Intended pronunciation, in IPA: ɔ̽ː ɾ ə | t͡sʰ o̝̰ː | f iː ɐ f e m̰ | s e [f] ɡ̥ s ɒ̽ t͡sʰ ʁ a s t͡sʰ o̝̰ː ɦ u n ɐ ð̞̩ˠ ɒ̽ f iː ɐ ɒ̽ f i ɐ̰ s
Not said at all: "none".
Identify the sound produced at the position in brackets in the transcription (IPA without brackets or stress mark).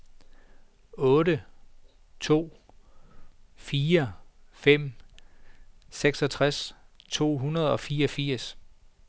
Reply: none